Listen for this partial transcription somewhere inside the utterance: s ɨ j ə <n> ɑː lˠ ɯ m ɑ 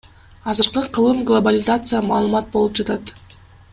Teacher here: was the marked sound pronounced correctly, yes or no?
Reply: no